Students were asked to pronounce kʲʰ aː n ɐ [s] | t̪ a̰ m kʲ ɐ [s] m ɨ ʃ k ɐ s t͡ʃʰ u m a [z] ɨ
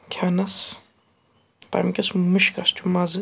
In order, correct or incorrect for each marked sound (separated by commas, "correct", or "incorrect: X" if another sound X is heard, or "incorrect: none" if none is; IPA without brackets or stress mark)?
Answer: correct, correct, correct